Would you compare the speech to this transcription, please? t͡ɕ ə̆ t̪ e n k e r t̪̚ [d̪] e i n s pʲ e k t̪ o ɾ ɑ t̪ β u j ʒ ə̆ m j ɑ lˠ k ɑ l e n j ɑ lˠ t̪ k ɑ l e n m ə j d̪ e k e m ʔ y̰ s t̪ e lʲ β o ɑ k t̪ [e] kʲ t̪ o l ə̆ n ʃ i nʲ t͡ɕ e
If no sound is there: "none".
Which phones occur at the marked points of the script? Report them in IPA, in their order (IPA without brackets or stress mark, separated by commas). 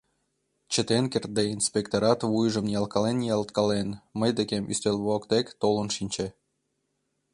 d̪, e